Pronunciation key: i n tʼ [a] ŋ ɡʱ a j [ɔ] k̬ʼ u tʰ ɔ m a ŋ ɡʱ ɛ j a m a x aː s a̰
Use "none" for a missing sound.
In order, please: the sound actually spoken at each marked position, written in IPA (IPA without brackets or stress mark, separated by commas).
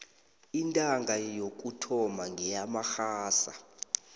a, o